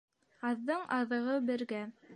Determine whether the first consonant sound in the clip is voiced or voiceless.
voiced